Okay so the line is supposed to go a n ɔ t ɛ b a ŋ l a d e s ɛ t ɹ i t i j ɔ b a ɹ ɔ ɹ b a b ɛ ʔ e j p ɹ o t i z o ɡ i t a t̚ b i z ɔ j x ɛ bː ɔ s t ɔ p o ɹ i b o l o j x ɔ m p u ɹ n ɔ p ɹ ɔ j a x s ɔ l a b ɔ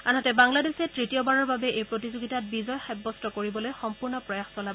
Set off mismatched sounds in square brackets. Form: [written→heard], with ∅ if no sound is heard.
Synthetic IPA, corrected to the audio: a n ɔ t ɛ b a ŋ l a d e s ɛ t ɹ i t i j ɔ b a ɹ ɔ ɹ b a b ɛ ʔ e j p ɹ o t i z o ɡ i t a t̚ b i z ɔ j x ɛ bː ɔ s t ɔ [p→k] o ɹ i b [o→ɔ] l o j x ɔ m p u ɹ n ɔ p ɹ ɔ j a x s ɔ l a b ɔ